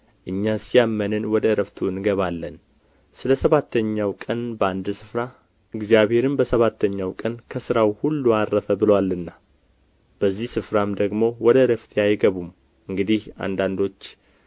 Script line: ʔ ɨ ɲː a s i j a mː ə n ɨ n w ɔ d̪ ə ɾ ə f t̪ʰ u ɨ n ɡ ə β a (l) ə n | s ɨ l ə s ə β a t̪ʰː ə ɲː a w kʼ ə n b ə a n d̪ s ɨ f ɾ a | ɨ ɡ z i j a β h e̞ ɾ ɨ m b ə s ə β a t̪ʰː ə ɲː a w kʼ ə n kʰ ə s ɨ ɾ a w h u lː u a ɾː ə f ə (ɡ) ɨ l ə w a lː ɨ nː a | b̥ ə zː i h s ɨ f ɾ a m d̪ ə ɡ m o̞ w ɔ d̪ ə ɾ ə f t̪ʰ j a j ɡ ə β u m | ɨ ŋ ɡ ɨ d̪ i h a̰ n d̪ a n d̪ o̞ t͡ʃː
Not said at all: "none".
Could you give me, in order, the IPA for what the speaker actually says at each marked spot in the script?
lː, b

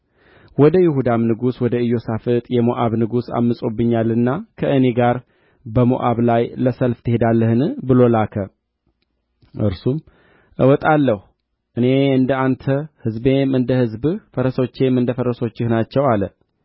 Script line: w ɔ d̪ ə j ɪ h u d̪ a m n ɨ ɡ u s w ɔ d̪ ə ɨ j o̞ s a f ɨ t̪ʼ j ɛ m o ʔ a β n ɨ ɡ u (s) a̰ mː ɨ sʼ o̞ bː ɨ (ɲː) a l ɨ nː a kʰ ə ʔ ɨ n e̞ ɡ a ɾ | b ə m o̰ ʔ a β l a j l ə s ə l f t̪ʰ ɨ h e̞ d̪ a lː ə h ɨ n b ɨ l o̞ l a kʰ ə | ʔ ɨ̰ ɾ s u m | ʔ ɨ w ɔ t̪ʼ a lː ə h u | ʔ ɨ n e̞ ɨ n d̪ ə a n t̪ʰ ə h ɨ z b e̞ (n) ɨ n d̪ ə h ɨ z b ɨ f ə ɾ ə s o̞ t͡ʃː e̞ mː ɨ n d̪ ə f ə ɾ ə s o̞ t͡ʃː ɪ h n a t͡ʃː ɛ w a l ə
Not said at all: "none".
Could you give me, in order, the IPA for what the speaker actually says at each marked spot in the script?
s, ɲː, m

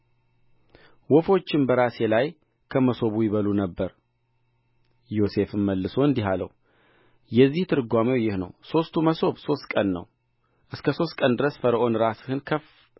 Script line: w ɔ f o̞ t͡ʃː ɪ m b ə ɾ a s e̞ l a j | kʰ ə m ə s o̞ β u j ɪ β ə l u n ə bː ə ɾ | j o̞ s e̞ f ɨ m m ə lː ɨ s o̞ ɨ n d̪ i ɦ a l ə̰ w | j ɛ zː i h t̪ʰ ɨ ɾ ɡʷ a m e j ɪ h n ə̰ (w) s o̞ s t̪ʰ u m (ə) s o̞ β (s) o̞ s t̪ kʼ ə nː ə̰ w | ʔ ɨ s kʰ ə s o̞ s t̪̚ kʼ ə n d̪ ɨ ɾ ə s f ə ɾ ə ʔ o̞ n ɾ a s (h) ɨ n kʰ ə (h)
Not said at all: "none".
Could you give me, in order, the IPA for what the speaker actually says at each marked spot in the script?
w, ə, s, h, f

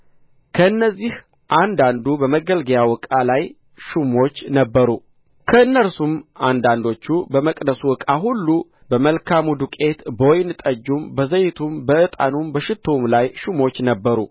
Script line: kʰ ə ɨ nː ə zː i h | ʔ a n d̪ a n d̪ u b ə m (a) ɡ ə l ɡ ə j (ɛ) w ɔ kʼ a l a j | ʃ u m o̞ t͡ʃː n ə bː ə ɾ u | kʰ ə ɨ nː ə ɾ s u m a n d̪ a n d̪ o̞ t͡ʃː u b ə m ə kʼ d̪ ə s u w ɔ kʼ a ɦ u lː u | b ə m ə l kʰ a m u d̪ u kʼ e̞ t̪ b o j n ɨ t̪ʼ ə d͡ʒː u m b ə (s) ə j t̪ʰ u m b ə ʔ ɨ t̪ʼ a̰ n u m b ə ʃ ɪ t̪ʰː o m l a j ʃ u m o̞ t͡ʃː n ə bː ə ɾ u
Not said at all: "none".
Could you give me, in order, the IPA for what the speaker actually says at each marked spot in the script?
ə, a, z

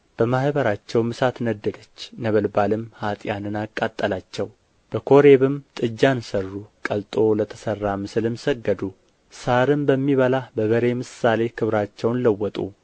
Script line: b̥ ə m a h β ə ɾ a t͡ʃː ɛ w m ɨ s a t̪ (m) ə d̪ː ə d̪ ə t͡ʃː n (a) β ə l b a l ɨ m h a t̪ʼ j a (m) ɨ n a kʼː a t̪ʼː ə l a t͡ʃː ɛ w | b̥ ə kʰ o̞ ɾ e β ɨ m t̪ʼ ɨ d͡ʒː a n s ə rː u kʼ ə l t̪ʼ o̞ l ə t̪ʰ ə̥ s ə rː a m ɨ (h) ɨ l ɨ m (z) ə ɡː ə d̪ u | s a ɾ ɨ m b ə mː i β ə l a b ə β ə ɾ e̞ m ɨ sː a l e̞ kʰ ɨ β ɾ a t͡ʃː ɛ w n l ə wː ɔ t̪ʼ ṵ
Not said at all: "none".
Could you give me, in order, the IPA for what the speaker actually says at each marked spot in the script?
n, ə, n, s, s

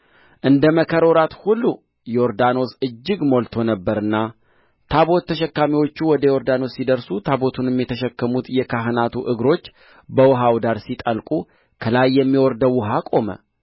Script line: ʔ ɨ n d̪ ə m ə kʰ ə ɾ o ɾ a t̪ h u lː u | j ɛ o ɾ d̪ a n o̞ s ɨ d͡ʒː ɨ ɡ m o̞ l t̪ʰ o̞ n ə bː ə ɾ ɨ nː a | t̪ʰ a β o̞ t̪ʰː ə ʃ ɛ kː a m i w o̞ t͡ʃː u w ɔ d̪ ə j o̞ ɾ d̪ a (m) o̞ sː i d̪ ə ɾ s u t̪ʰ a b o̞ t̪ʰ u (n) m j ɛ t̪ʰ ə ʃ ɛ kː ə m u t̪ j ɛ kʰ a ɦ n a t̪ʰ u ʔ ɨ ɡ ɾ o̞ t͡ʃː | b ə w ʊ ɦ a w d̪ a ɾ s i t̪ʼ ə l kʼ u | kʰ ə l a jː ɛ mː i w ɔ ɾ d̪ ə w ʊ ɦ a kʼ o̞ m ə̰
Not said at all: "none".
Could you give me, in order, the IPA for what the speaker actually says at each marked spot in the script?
n, n

